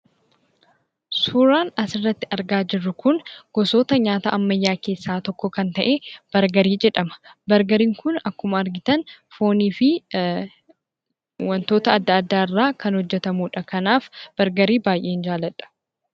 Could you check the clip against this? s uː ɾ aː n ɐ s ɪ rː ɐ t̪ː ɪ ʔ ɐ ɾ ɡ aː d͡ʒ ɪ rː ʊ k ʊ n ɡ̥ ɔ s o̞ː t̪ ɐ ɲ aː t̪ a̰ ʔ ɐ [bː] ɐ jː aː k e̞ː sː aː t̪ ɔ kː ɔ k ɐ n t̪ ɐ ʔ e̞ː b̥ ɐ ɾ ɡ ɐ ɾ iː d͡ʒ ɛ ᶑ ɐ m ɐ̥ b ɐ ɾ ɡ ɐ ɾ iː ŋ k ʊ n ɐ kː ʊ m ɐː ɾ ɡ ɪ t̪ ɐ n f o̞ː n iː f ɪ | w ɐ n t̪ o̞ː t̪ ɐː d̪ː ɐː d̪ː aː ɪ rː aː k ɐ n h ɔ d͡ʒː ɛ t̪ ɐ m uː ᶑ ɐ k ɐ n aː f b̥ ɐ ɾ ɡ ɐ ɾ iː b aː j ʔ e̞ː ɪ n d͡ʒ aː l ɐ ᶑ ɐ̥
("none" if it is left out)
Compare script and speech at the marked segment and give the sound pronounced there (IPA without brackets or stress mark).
mː